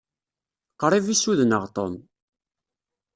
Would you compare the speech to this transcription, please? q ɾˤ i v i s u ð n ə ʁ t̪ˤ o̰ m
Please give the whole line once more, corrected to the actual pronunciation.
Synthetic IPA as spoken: q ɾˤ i v i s u ð n ə ʁ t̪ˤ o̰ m

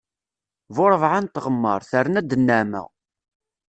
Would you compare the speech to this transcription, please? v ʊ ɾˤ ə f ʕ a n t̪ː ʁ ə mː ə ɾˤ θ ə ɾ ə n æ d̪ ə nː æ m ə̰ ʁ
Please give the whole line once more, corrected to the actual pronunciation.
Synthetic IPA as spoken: v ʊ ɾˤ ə v ʕ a n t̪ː ʁ ə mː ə ɾˤ θ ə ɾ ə n æ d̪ ə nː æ m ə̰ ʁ

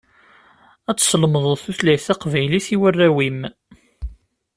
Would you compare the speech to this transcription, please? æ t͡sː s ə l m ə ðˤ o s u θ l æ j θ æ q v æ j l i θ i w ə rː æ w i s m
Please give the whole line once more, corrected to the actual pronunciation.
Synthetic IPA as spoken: æ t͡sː s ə l m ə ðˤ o θ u θ l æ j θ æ q v æ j l i θ i w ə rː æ w i m

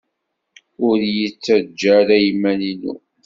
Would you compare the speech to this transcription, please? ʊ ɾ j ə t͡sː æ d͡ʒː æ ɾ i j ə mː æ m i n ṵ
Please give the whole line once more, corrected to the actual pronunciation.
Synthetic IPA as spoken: ʊ ɾ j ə t͡sː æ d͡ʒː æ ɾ æ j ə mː æ n i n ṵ

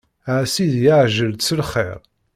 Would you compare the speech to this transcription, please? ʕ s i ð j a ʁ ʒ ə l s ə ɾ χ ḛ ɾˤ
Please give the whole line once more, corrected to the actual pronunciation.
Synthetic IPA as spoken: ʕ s i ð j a ʕ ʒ ə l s ə l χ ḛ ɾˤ

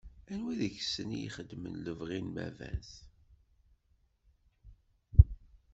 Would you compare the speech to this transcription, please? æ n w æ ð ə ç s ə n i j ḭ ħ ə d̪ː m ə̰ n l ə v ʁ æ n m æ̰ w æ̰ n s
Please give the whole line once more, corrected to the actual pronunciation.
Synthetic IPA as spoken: æ n w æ ð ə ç s ə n i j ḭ χ ə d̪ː m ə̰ n l ə v ʁ i n m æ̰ v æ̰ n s

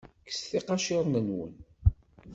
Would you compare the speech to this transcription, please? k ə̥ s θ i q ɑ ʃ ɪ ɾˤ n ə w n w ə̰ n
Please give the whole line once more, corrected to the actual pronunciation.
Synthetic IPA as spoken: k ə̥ s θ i q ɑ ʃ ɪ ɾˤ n ə n w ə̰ n

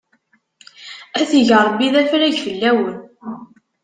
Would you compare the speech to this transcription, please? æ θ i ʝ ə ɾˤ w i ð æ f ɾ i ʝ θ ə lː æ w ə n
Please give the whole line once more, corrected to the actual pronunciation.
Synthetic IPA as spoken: æ θ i ʝ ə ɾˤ b i ð æ f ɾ æ ʝ f ə lː æ w ə n

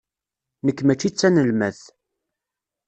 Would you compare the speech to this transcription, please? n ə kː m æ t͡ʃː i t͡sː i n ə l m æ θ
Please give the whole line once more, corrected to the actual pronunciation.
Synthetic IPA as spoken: n ə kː m æ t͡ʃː i t͡sː æ n ə l m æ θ

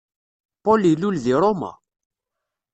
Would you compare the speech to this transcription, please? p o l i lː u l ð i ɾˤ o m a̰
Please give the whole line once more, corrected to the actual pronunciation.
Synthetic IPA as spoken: p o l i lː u l ð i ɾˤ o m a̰

